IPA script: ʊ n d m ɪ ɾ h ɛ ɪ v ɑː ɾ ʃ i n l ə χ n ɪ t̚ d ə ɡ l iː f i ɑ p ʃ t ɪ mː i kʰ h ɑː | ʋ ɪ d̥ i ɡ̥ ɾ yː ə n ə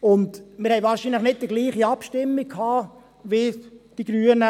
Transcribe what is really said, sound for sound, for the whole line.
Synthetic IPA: ʊ n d m ɪ ɾ h ɛ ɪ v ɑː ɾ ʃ i n l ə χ n ɪ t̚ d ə ɡ l iː χ i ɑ p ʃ t ɪ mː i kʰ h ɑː | ʋ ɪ d̥ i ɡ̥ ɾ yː ə n ə

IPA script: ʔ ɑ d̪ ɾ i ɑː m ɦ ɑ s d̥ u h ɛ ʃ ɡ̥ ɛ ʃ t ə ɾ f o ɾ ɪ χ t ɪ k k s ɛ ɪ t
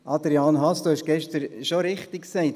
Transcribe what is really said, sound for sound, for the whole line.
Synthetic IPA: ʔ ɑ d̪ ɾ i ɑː n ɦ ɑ s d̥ u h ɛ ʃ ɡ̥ ɛ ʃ t ə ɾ ʃ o ɾ ɪ χ t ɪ k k s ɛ ɪ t

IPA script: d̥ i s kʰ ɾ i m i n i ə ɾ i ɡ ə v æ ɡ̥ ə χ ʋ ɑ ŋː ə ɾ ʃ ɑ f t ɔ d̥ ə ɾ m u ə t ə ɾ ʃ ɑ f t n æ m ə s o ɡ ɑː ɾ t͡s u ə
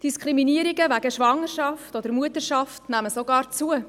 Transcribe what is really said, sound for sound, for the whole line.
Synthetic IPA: d̥ i s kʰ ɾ i m i n i ə ɾ i ɡ ə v æ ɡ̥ ə ʃ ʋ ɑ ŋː ə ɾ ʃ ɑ f t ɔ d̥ ə ɾ m u ə t ə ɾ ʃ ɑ f t n æ m ə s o ɡ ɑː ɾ t͡s u ə

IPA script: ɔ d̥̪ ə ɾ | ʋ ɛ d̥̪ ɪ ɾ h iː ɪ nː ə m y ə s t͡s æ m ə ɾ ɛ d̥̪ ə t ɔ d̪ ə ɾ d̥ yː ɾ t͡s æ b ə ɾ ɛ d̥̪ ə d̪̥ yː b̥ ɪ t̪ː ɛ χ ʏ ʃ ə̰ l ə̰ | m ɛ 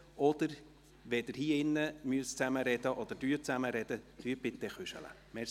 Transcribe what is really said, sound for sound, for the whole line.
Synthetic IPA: ɔ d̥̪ ə ɾ | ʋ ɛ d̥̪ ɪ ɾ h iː ɪ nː ə m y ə s t͡s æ m ə ɾ ɛ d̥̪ ə ʔ ɔ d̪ ə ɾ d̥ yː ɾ t͡s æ m ə ɾ ɛ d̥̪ ə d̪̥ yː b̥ ɪ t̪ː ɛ χ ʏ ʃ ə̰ l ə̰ | m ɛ

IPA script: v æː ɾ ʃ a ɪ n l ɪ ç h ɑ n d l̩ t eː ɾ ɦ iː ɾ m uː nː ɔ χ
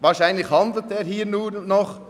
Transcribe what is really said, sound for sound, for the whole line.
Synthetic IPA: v aː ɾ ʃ a ɪ n l ɪ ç h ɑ n d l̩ t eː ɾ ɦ iː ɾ n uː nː ɔ χ

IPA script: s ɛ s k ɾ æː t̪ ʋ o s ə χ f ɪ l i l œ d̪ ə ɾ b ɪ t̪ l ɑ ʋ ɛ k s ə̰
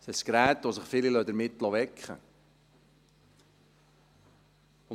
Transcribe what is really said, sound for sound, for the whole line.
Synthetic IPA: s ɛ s k ɾ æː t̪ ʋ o s ə χ f ɪ l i l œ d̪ ə ɾ m ɪ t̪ l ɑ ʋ ɛ k χ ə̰

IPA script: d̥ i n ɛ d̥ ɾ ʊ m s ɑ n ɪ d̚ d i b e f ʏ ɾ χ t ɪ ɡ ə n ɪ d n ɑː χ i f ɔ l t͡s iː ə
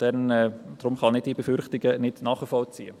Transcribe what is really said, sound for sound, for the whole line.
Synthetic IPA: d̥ ɛ n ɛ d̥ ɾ ʊ m χ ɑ n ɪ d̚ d i b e f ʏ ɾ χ t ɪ ɡ ə n ɪ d n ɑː χ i f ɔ l t͡s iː ə

